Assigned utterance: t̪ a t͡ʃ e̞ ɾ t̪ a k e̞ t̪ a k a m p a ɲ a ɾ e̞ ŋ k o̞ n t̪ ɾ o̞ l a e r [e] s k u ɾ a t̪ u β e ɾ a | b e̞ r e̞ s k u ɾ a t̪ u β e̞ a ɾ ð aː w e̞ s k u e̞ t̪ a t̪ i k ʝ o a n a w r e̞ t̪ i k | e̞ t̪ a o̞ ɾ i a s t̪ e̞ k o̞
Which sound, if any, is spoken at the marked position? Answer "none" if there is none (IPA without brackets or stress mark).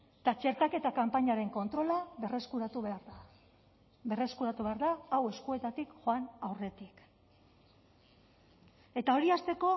e